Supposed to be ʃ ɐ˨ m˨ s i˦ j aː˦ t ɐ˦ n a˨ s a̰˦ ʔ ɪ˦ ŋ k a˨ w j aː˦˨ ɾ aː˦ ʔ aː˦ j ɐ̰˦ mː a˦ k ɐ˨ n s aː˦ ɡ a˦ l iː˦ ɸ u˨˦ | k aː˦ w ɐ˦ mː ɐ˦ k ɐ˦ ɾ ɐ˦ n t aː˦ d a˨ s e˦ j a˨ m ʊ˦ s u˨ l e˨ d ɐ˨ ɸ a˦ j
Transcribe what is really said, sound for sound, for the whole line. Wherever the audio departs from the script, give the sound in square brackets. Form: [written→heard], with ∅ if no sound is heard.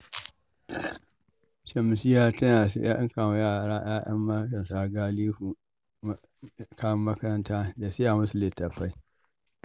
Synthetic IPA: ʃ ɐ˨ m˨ s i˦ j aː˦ t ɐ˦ n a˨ s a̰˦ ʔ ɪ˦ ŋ k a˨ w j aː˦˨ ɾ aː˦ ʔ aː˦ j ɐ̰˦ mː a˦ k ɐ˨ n s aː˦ ɡ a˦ l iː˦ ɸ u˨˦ | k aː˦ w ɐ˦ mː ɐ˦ k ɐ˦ ɾ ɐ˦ n t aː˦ d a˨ s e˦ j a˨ m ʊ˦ s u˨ l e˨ [d→t] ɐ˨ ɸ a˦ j